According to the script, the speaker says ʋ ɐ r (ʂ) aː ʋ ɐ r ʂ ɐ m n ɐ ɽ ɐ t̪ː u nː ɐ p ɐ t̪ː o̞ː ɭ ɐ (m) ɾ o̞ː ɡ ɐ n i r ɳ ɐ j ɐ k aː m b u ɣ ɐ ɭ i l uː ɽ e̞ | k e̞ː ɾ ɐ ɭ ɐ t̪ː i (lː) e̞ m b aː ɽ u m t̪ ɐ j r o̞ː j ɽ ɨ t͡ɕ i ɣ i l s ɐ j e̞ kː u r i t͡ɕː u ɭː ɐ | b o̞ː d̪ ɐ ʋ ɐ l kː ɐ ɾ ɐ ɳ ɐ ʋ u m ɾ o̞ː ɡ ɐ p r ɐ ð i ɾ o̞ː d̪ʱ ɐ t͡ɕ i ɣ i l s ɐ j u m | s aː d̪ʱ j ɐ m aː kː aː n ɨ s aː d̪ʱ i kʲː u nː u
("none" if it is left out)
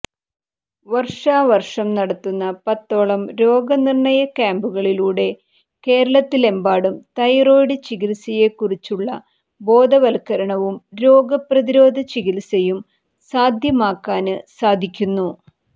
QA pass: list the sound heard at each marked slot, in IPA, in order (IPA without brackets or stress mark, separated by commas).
ʂ, m, l